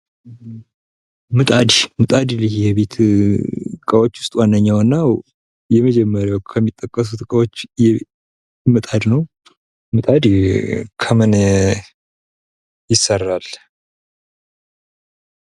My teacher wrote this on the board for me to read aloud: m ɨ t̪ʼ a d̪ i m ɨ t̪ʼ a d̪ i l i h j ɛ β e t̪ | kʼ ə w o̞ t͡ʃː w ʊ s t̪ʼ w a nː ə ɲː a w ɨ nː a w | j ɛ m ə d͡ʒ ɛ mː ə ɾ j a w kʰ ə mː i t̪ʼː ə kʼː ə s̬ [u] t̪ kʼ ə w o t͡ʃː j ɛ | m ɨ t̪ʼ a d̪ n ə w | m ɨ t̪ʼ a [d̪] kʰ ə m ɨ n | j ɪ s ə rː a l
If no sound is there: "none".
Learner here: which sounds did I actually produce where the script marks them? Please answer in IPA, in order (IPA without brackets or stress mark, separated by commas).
u, d̪